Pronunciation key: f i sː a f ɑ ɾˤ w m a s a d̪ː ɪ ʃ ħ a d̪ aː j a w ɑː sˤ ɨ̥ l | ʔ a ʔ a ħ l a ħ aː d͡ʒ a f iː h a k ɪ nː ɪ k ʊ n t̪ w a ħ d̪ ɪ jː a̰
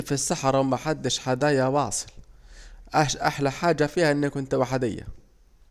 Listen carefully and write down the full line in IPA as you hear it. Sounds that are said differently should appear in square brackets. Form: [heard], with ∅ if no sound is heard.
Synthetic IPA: f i sː a [ħ] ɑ ɾˤ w m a [ħ] a d̪ː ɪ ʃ ħ a d̪ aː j a w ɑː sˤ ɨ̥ l | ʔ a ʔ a ħ l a ħ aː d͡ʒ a f iː h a [ʔ] ɪ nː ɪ k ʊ n t̪ w a ħ d̪ ɪ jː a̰

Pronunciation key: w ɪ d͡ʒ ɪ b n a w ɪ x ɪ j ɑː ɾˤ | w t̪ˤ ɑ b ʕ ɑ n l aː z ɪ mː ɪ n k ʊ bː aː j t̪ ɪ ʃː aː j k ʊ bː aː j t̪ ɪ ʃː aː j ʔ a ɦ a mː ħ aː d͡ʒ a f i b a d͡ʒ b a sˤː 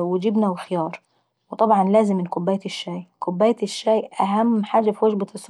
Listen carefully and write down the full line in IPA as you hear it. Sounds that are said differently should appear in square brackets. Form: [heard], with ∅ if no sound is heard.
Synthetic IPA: w ɪ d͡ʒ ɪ b n a w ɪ x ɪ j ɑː ɾˤ | w t̪ˤ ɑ b ʕ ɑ n l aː z ɪ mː ɪ n k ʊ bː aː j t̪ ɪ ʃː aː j k ʊ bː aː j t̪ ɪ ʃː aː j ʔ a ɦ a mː ħ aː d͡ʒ a f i [w] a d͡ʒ b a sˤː

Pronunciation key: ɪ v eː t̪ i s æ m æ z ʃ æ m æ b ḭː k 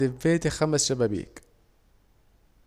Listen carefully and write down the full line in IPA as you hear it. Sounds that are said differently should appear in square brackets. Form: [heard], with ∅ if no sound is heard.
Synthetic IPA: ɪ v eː t̪ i [x] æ m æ [s] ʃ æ [b] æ b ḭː k

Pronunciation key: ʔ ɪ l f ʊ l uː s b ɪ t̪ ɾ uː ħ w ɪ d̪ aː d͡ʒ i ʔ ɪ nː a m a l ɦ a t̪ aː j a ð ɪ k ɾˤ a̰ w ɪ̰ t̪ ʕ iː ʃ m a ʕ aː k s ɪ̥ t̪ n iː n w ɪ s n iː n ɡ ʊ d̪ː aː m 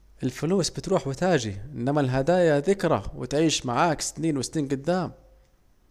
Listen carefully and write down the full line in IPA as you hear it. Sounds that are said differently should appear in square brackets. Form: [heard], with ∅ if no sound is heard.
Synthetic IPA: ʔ ɪ l f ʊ l uː s b ɪ t̪ ɾ uː ħ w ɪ [t̪] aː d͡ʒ i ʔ ɪ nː a m a l ɦ a [d̪] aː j a ð ɪ k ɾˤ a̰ w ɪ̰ t̪ ʕ iː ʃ m a ʕ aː k s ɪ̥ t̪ n iː n w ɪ s n iː n ɡ ʊ d̪ː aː m

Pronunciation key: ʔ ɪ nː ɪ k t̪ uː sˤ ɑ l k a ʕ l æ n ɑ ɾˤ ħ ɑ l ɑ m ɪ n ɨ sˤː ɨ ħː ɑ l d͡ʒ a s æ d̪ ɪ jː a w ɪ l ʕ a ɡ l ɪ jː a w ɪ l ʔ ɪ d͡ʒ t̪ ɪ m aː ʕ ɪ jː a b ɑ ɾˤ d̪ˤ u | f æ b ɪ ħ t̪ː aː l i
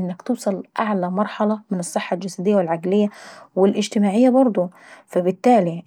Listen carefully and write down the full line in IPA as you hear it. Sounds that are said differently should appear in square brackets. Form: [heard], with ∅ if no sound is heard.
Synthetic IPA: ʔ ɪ nː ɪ k t̪ uː sˤ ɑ l [ʔ] a ʕ l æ [m] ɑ ɾˤ ħ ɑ l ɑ m ɪ n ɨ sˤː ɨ ħː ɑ l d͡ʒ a s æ d̪ ɪ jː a w ɪ l ʕ a ɡ l ɪ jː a w ɪ l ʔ ɪ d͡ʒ t̪ ɪ m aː ʕ ɪ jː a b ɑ ɾˤ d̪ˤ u | f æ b ɪ [∅] t̪ː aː l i

